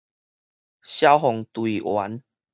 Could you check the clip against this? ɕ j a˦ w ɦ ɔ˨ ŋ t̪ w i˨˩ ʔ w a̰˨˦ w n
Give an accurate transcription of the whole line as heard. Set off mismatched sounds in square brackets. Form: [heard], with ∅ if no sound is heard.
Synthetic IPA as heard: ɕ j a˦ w ɦ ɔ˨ ŋ t̪ w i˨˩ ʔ w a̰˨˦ [∅] n